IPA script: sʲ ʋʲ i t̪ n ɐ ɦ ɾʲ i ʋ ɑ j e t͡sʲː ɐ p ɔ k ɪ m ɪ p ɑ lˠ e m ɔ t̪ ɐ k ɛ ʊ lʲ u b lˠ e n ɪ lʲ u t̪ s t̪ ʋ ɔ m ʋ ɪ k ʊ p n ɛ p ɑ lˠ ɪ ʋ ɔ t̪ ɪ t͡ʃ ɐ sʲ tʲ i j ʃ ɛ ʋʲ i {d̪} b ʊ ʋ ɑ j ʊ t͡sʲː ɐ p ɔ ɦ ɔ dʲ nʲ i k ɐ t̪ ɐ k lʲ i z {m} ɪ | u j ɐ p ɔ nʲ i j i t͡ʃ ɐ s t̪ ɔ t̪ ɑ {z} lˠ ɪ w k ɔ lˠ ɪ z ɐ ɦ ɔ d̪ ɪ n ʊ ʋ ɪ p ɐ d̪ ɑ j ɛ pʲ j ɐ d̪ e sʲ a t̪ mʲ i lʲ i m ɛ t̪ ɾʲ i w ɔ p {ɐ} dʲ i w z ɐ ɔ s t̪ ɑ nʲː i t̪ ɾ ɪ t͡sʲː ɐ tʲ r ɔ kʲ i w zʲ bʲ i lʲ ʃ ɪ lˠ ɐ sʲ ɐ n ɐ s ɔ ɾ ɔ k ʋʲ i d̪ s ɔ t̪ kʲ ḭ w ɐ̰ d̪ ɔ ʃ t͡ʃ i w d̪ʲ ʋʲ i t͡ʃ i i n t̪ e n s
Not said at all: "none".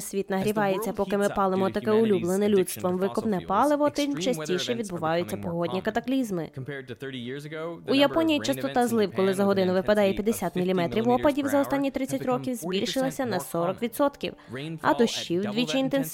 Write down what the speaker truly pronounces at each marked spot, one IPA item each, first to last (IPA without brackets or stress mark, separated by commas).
d̪, m, z, ɐ